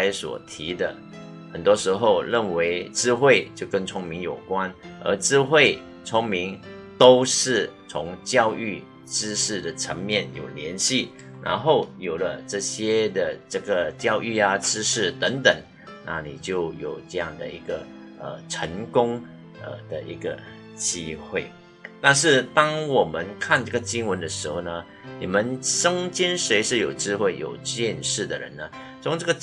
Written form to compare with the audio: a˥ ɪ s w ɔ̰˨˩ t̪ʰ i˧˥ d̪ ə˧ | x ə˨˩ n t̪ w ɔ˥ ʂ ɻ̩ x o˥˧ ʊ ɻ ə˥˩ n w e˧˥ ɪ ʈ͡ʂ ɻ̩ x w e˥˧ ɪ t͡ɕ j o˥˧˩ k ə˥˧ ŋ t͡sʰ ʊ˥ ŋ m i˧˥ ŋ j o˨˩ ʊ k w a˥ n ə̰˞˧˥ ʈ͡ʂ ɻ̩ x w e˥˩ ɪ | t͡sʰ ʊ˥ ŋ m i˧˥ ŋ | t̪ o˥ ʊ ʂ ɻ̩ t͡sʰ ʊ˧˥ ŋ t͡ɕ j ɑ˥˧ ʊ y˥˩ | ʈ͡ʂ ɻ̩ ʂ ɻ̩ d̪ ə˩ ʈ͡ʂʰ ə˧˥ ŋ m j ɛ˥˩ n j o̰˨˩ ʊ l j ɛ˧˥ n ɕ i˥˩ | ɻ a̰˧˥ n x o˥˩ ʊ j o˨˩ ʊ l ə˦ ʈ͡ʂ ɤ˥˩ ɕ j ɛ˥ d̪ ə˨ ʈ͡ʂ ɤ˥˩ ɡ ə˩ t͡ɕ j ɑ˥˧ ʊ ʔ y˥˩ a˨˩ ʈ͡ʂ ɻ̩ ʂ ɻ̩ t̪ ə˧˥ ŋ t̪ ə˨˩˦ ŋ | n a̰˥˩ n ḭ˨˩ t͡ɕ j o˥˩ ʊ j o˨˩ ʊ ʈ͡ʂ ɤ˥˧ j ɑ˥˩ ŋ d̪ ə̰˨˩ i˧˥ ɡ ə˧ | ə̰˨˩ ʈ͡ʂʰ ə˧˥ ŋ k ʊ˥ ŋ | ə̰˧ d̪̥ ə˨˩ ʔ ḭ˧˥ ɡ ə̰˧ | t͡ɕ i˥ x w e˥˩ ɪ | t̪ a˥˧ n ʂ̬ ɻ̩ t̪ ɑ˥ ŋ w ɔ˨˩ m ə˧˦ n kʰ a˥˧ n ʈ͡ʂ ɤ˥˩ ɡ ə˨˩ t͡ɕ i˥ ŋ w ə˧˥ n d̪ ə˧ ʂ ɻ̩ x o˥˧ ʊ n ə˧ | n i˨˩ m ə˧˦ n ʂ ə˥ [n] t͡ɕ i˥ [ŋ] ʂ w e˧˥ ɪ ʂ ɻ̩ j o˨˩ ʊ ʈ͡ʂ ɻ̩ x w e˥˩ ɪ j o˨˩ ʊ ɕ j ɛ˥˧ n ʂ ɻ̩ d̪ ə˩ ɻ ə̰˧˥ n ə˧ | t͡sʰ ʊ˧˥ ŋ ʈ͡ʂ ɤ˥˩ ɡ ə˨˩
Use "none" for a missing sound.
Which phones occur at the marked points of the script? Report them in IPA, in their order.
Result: ŋ, n

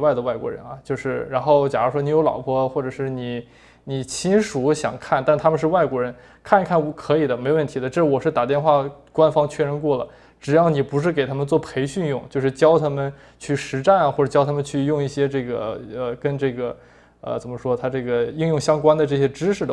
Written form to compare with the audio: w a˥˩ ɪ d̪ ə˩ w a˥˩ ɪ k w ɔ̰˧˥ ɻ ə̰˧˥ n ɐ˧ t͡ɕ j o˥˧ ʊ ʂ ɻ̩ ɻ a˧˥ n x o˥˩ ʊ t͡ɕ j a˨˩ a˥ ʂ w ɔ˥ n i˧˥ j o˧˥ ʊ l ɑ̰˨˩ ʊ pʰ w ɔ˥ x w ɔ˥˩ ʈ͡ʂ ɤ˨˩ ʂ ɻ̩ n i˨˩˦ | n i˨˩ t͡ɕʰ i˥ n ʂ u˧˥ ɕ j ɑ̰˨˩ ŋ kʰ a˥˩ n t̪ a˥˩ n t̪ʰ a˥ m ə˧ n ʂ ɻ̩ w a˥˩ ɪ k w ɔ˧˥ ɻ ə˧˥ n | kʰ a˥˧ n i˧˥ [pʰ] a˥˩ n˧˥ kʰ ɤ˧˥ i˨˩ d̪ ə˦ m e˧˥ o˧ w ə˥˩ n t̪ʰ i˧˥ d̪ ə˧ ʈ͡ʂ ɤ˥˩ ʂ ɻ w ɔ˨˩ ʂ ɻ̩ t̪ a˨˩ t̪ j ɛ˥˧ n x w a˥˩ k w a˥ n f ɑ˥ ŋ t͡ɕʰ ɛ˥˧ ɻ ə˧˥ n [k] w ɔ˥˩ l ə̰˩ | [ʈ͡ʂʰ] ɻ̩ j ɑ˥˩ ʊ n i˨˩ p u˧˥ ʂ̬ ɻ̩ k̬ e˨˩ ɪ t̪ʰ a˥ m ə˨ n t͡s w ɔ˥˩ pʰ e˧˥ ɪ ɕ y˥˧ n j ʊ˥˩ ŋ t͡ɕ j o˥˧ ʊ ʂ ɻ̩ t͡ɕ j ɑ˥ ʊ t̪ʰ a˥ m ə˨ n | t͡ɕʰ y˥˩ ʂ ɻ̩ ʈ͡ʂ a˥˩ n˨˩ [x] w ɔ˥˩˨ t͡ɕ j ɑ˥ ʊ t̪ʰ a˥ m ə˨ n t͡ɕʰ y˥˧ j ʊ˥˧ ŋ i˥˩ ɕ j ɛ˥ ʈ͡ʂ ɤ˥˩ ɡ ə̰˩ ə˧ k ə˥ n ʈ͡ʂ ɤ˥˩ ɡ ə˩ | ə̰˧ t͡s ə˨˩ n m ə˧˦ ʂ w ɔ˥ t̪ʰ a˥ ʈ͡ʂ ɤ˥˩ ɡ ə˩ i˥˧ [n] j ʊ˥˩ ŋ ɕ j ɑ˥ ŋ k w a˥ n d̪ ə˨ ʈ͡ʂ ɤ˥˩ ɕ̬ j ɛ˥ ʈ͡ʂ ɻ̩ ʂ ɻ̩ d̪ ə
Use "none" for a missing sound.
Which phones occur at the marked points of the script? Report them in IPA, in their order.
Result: kʰ, k, ʈ͡ʂ, x, ŋ

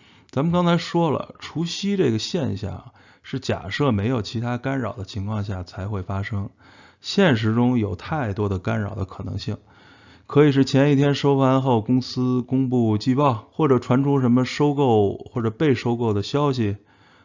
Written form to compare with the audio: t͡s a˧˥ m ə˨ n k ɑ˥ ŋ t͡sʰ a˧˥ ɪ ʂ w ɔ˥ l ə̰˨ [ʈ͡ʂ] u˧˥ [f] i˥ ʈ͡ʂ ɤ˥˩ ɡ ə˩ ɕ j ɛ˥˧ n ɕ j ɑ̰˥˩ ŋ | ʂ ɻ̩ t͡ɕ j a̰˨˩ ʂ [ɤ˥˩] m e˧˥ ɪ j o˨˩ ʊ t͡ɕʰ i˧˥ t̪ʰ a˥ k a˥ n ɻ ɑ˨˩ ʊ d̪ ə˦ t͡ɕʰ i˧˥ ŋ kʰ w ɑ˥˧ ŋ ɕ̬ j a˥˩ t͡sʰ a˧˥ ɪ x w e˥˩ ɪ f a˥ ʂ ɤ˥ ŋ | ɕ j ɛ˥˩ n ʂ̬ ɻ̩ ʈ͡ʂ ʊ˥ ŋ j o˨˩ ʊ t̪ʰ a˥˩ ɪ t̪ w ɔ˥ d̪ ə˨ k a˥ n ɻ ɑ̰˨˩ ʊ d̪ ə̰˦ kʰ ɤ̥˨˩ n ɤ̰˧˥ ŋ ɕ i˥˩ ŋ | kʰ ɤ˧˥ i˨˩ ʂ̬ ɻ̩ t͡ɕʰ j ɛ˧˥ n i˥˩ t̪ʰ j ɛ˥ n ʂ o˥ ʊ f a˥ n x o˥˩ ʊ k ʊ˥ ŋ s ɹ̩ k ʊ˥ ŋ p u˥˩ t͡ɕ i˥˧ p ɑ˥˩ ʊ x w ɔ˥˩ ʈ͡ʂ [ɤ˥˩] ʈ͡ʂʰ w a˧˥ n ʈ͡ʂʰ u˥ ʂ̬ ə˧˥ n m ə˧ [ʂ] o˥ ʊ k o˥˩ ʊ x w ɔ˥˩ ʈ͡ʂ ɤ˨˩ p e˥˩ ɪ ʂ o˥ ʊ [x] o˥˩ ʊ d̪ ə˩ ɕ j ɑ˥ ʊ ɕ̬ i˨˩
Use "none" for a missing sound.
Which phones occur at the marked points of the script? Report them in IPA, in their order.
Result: ʈ͡ʂʰ, ɕ, ɤ˥˩, ɤ˨˩, ʂ, k

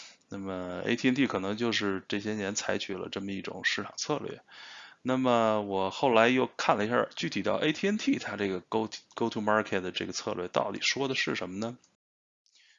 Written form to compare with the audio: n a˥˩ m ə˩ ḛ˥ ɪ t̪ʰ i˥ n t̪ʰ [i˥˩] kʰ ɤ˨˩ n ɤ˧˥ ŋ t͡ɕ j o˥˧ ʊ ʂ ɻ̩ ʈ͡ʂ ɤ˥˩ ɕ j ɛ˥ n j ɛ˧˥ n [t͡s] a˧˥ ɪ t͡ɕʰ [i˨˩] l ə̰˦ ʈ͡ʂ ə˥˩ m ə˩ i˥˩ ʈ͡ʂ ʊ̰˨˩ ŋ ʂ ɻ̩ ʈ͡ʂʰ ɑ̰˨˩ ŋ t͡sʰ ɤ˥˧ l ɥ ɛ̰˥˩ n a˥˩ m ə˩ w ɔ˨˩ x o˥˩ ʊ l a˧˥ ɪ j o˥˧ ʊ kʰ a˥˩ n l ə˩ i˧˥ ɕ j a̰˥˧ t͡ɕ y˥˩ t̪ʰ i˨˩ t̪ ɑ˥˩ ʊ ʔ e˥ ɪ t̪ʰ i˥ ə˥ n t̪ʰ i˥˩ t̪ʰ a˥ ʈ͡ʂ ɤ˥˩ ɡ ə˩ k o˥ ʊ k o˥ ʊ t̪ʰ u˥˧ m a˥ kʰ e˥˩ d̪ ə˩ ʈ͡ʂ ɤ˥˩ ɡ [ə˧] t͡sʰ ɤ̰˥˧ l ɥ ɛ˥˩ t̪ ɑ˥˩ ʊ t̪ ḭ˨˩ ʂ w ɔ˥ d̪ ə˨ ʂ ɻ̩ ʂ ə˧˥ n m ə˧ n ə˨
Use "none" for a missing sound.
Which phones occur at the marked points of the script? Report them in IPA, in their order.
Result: i˥˩, t͡sʰ, y˨˩, ə˩

